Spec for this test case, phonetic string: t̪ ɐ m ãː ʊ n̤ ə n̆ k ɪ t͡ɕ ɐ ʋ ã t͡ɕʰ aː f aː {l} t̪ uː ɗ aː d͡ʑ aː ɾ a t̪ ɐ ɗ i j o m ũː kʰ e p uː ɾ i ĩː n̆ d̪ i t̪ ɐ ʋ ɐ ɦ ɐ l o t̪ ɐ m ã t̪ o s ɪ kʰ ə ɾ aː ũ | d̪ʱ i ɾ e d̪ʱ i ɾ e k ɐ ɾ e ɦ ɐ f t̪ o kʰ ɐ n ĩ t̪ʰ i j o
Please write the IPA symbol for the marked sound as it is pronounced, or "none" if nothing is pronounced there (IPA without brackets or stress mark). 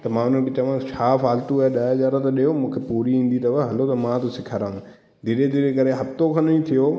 l